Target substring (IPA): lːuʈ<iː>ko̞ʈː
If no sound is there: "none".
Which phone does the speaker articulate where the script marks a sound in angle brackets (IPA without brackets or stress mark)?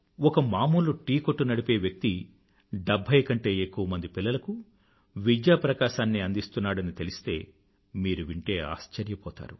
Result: iː